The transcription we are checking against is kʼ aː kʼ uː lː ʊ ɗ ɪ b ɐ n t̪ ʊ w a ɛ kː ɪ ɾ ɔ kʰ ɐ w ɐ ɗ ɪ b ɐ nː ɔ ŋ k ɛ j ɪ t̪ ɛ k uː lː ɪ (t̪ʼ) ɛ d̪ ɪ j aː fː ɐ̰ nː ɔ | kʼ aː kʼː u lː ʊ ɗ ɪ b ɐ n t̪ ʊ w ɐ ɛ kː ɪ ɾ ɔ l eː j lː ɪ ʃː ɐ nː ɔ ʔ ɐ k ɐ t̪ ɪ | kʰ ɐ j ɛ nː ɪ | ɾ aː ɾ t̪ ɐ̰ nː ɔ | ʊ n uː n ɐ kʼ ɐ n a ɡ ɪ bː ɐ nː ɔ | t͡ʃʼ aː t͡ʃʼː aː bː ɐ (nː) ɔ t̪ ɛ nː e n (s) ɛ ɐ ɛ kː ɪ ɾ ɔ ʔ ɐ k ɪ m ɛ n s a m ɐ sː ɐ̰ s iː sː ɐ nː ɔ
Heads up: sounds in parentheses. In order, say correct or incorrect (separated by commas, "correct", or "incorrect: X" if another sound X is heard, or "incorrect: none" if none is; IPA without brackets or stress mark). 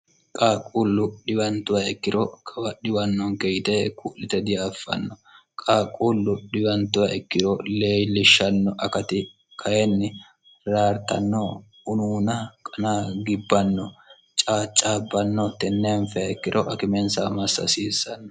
incorrect: t̪, correct, incorrect: f